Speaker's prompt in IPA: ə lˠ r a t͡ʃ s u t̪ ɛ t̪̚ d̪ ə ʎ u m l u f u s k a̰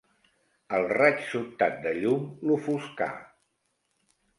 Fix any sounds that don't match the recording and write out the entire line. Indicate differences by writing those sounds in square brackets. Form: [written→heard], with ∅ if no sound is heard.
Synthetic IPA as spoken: ə lˠ r a t͡ʃ s u t̪ [ɛ→a] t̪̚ d̪ ə ʎ u m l u f u s k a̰